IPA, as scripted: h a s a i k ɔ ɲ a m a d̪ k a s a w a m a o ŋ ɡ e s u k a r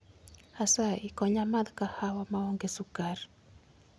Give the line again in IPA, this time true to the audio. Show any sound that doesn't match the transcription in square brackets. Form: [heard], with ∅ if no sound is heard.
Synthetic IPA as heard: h a s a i k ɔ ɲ a m a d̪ k a [h] a w a m a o ŋ ɡ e s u k a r